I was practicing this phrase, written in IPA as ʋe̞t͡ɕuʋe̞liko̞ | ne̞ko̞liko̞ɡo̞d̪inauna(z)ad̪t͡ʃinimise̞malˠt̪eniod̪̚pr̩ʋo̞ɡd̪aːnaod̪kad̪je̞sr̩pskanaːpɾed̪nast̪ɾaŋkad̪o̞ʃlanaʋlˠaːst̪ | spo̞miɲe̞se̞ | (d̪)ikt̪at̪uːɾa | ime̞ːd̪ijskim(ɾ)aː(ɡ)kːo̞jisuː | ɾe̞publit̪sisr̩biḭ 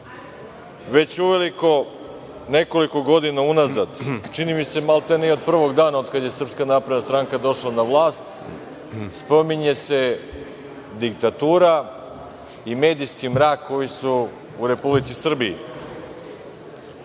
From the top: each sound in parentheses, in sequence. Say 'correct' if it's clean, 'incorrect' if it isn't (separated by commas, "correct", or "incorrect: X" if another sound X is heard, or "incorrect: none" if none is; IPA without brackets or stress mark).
correct, correct, correct, incorrect: k